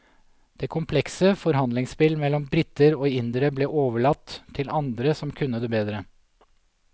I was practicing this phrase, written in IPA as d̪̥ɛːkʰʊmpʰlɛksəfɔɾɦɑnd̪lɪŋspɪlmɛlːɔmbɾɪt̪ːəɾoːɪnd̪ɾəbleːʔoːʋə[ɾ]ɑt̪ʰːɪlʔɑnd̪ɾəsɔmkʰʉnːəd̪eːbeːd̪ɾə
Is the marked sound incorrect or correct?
incorrect